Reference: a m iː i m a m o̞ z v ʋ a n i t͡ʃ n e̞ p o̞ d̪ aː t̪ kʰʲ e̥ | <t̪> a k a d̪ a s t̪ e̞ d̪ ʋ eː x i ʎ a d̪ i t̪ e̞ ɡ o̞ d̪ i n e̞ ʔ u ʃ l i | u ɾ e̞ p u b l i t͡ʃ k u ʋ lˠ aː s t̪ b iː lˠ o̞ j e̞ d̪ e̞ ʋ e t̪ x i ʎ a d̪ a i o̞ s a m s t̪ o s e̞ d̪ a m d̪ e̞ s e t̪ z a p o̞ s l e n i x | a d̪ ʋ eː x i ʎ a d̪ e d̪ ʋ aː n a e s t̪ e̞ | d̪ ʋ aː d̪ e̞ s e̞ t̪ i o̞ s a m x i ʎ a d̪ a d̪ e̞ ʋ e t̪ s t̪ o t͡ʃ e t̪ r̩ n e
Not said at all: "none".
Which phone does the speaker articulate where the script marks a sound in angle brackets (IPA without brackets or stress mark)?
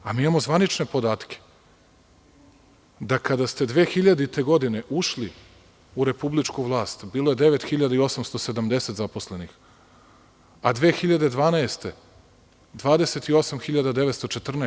d̪